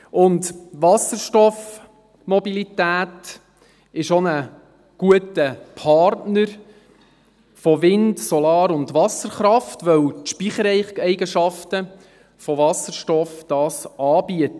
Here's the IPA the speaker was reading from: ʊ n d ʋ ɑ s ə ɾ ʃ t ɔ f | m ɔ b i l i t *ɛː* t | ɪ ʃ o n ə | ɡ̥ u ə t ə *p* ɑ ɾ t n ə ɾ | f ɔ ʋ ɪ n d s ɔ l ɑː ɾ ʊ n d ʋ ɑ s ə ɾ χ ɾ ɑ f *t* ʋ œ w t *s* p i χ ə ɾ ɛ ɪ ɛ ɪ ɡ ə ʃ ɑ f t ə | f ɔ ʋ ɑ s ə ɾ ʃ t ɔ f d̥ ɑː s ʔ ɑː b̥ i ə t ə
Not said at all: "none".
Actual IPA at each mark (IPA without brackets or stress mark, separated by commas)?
æː, pʰ, t, ʃ